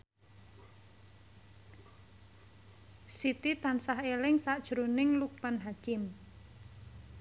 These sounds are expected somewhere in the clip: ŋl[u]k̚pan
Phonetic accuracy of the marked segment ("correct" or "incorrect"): correct